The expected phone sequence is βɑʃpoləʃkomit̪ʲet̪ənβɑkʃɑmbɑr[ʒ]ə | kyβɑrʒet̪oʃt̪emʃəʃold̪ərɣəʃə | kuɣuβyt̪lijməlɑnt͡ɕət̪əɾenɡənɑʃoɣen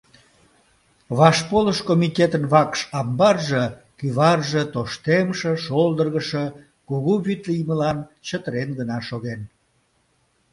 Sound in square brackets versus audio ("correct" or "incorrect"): correct